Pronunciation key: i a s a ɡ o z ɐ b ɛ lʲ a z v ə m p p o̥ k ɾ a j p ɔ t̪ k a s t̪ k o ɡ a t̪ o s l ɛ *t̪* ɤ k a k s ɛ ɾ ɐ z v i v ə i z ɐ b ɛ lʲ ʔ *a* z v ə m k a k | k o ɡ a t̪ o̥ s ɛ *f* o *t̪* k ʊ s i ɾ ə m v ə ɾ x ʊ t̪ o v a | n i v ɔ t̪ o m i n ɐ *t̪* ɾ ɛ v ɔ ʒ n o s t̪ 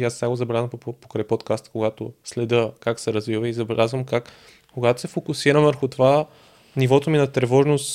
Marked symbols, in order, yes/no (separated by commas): no, yes, yes, no, yes